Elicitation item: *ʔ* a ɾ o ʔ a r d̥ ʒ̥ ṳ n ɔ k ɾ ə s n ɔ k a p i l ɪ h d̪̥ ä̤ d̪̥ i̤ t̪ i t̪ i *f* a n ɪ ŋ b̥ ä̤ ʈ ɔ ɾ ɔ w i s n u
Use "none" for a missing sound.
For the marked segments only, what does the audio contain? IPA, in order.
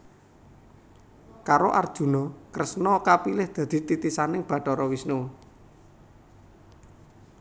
k, s

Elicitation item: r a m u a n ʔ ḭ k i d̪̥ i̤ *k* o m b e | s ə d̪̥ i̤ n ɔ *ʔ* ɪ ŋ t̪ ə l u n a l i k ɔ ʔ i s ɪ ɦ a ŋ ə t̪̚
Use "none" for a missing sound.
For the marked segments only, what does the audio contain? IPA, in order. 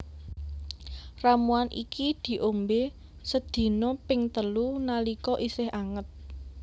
ʔ, p

